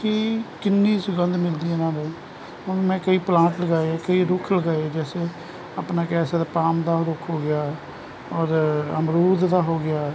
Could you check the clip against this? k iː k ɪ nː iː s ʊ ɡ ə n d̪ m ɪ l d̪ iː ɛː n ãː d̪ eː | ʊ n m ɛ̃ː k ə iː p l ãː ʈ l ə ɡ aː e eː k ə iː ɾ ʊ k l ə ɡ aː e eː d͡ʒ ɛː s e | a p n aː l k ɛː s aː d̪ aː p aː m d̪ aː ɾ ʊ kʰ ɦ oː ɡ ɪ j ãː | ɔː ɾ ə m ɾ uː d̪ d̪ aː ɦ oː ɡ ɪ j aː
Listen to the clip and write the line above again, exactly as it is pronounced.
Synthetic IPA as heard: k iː k ɪ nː iː s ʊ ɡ ə n d̪ m ɪ l d̪ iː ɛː n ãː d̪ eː | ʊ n m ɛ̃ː k ə iː p l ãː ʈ l ə ɡ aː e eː k ə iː ɾ ʊ kʰ l ə ɡ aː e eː d͡ʒ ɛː s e | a p n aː k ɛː s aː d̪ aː p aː m d̪ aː ɾ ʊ kʰ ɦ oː ɡ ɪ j aː | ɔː ɾ ə m ɾ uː d̪ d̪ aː ɦ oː ɡ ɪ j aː